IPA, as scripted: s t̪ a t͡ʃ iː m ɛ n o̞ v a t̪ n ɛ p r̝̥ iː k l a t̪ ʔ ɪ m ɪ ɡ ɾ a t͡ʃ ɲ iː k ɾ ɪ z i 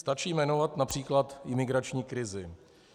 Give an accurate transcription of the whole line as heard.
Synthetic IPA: s t̪ a t͡ʃ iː m ɛ n o̞ v a t̪ n a p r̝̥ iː k l a t̪ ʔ ɪ m ɪ ɡ ɾ a t͡ʃ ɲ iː k ɾ ɪ z ɪ